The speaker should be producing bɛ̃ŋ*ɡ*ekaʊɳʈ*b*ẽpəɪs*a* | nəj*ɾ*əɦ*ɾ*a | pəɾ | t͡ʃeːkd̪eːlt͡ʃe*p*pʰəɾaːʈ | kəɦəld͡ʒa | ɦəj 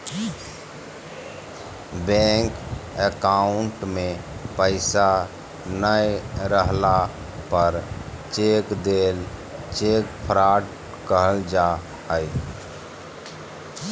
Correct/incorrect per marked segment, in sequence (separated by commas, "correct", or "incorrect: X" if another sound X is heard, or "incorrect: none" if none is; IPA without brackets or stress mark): incorrect: k, incorrect: m, correct, correct, incorrect: l, incorrect: k